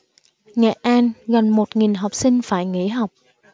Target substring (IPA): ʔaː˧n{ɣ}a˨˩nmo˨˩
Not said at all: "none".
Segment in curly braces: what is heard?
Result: ɣ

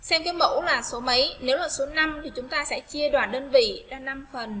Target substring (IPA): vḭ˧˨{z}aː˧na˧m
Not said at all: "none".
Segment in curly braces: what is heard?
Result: z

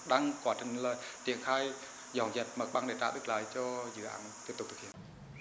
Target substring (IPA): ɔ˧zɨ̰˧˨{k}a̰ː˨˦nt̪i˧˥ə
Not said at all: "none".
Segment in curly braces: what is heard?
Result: ʔ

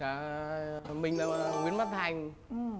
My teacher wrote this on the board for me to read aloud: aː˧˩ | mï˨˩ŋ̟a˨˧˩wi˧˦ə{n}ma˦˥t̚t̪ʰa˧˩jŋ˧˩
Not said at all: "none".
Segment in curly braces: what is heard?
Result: n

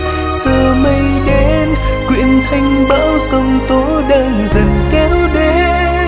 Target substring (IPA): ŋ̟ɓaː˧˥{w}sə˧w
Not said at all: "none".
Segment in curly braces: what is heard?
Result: w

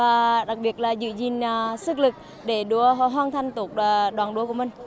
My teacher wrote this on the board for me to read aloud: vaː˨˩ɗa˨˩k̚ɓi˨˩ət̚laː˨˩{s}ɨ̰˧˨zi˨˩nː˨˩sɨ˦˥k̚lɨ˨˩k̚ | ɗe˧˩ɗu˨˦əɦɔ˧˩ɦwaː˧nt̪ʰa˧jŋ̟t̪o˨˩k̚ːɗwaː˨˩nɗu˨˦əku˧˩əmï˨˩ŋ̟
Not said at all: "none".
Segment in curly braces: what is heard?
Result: z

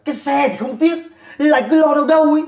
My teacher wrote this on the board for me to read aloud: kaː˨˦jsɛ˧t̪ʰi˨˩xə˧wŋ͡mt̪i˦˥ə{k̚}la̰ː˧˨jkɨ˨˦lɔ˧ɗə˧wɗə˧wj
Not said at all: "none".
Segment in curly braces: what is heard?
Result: t̚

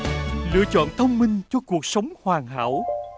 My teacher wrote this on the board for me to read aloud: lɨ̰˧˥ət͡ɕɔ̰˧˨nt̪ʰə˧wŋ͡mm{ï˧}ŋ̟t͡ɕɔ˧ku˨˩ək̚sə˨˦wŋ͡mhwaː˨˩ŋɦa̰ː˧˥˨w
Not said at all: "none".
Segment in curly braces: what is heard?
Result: ï˧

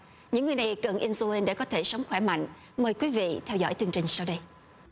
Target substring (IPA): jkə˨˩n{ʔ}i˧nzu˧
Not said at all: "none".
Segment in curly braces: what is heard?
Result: ʔ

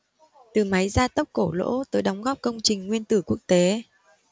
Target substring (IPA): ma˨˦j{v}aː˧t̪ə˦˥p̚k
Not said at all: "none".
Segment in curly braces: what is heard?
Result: z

